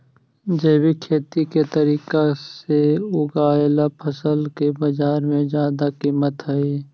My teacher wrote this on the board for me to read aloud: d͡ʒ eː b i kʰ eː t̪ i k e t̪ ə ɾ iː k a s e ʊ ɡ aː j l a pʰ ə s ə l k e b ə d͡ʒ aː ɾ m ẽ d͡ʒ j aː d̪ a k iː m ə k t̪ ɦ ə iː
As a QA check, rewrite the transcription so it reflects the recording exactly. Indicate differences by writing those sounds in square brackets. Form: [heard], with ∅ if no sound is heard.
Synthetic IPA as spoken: d͡ʒ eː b i kʰ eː t̪ i k e t̪ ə ɾ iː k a s e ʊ ɡ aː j l a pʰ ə s ə l k e b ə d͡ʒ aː ɾ m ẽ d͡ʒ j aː d̪ a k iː m ə [∅] t̪ ɦ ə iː